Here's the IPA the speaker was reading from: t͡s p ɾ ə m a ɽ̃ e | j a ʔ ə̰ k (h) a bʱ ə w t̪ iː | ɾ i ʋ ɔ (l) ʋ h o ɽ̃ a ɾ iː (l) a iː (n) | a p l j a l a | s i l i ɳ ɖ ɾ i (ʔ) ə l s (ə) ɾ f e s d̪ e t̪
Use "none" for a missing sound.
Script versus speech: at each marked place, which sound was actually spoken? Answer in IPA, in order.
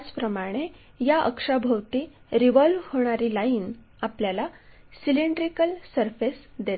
ʂ, l, l, n, k, ə

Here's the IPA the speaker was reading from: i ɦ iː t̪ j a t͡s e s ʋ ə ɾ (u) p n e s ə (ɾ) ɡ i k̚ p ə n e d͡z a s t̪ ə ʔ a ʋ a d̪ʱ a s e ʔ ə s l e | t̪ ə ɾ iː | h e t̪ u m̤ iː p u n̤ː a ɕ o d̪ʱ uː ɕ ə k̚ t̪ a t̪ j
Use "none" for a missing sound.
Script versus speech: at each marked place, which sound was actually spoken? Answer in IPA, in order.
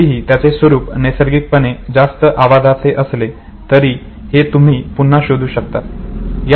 uː, ɾ

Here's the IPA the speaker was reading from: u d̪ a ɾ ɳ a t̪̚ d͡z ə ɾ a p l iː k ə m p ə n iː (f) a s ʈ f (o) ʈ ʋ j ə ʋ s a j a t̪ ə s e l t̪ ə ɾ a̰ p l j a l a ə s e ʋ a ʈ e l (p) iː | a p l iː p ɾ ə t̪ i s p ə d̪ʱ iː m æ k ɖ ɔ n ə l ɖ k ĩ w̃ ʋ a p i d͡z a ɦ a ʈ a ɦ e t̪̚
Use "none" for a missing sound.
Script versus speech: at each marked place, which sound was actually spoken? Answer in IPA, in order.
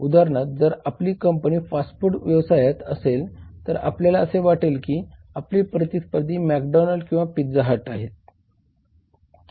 f, u, k

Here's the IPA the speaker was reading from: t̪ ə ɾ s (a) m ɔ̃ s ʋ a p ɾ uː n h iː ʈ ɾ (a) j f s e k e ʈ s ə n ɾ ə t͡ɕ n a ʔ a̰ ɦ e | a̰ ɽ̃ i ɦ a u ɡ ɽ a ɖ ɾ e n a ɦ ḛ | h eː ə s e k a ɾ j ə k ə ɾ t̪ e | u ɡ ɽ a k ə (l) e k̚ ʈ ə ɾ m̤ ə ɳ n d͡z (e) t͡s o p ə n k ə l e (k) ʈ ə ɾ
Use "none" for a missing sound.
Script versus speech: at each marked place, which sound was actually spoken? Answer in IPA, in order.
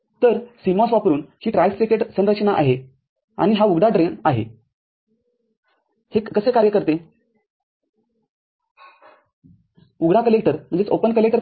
i, a, l, e, k

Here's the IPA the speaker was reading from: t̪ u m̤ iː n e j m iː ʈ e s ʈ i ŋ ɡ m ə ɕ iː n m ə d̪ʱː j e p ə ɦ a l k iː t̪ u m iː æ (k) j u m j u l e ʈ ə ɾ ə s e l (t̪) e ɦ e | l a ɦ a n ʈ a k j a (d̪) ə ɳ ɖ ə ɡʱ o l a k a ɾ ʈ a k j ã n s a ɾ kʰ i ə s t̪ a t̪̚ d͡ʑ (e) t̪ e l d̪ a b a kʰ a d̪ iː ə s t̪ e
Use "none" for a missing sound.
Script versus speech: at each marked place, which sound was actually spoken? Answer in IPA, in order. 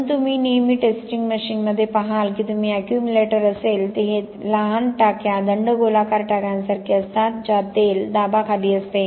k, t̪, d̪, a

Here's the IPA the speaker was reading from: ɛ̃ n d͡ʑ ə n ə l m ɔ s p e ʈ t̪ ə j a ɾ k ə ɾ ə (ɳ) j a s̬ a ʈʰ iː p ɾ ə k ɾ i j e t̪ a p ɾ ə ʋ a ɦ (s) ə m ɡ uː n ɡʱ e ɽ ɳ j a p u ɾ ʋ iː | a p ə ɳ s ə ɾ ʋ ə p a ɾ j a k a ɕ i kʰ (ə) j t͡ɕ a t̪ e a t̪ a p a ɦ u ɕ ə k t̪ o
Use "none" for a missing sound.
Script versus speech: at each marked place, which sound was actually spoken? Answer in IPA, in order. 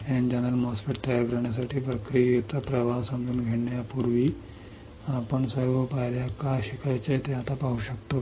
ɳ, s, a

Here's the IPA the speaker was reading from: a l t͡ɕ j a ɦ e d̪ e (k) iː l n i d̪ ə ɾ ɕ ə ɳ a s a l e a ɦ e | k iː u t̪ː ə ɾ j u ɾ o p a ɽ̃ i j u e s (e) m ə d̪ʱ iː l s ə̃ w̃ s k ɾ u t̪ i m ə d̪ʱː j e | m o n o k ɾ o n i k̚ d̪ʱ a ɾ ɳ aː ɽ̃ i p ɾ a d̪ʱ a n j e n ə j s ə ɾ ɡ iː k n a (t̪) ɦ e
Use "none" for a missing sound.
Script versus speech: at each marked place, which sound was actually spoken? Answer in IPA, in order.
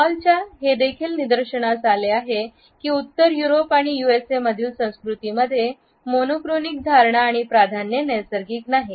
kʰ, e, none

